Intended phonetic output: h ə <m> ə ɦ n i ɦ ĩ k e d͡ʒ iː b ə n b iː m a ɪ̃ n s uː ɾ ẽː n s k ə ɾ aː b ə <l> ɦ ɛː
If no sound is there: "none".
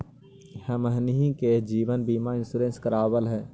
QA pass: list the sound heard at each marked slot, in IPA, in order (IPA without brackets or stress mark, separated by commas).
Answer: m, l